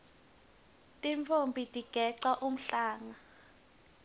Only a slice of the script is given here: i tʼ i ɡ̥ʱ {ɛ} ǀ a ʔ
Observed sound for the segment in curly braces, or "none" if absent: ɛ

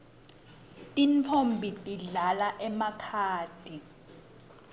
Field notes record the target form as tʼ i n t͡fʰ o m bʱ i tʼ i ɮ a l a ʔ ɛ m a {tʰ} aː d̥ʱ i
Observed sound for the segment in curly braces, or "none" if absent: kʰ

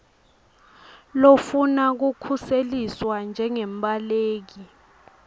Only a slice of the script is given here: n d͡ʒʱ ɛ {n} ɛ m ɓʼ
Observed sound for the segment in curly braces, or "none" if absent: ŋ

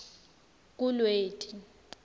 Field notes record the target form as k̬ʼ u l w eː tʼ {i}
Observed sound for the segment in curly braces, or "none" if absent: i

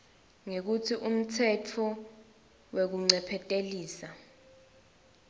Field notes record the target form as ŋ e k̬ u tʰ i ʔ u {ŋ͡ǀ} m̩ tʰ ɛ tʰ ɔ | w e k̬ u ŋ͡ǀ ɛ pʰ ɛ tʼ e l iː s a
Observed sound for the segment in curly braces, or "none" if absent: none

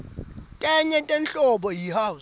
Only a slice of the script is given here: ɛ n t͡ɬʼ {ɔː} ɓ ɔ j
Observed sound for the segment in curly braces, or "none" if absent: ɔ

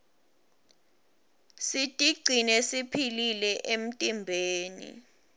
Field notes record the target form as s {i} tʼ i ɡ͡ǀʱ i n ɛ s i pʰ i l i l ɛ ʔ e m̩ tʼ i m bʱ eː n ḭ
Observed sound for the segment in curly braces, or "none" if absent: i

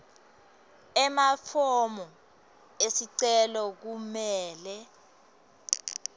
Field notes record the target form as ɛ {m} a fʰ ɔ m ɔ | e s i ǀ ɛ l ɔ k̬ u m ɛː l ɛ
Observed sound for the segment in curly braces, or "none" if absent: m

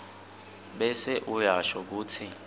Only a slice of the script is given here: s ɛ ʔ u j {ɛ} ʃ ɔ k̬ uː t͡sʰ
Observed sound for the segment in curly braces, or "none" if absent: a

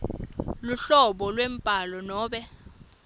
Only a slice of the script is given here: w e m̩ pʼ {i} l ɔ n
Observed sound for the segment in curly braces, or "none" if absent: a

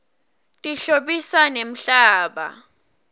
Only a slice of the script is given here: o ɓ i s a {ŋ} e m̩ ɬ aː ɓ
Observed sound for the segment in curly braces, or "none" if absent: n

